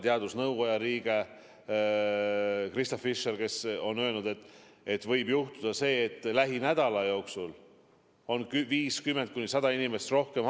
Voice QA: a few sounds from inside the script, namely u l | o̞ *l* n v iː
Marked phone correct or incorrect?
incorrect: none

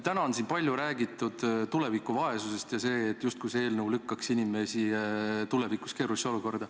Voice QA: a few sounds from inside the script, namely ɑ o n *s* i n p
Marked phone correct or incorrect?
correct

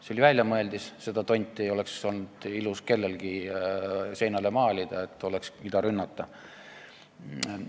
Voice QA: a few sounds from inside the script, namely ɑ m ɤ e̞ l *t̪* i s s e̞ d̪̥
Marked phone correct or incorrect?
incorrect: d̪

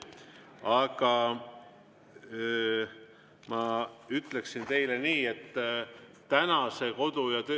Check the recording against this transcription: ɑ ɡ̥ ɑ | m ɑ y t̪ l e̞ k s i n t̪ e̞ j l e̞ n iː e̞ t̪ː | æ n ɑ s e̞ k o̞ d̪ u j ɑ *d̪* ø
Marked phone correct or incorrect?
incorrect: t̪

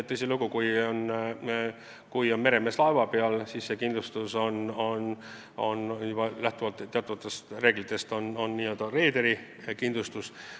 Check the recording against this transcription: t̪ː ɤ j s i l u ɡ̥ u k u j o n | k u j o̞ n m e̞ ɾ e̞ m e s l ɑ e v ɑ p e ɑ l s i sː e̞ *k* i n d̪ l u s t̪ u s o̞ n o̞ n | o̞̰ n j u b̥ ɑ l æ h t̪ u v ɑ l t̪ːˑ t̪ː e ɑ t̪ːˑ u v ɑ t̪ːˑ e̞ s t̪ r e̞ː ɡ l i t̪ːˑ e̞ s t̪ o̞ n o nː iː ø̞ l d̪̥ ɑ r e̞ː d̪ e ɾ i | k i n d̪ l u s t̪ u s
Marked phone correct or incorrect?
correct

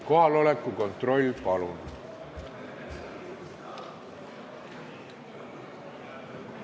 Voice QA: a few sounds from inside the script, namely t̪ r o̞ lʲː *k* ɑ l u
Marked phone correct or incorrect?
incorrect: p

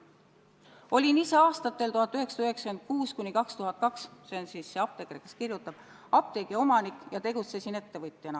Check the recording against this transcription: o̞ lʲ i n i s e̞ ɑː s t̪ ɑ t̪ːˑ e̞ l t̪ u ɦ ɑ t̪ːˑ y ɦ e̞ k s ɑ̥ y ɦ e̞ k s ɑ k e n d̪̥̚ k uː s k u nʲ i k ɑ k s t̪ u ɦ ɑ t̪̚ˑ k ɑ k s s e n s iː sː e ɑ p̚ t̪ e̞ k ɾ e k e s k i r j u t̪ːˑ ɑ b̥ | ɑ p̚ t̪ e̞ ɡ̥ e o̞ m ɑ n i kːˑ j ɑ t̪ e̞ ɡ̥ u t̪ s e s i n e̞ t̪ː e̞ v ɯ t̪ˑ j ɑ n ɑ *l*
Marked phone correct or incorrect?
incorrect: none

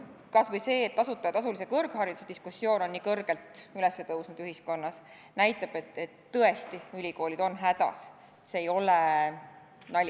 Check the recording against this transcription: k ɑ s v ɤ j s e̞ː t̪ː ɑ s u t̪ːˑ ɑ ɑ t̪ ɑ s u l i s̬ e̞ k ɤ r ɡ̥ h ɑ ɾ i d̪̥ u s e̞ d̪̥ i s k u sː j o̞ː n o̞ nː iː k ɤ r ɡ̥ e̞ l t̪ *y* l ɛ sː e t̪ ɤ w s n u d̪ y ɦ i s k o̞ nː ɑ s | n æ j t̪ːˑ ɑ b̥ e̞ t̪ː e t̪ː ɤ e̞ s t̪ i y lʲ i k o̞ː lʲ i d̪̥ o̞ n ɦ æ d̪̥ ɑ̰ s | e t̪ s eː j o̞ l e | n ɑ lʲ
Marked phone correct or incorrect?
correct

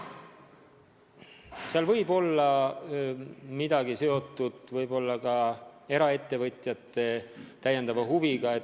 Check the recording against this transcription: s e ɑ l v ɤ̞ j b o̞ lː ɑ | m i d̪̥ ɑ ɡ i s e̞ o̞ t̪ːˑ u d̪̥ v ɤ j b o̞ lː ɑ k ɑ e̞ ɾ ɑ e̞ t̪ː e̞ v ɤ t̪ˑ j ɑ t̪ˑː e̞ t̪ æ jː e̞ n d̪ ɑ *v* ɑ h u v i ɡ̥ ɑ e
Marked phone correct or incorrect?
correct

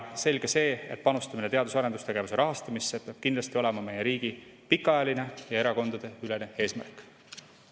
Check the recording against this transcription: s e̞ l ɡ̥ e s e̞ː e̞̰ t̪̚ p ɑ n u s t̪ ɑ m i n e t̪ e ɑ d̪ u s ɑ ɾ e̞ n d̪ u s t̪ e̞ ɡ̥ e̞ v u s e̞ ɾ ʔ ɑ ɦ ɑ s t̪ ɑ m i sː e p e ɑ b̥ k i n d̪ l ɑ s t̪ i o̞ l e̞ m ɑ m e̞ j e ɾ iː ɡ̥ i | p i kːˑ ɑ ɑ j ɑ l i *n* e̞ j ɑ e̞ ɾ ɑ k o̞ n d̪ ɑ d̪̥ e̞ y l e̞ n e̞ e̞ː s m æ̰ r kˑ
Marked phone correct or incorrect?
correct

